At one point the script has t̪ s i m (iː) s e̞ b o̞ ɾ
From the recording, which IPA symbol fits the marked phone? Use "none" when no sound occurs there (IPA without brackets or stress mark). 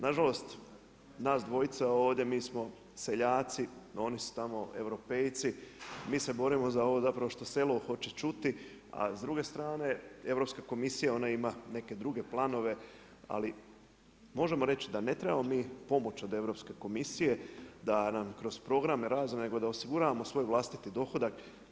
iː